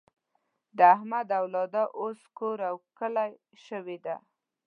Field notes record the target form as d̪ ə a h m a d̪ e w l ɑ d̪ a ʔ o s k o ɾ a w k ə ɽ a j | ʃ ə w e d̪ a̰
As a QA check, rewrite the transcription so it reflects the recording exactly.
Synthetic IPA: d̪ ə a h m a d̪ a w l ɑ d̪ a ʔ o s k o ɾ a w k ə l a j | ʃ ə w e d̪ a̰